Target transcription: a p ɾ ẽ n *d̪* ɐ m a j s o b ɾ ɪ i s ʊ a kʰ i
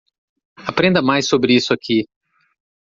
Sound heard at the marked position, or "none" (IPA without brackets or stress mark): d̪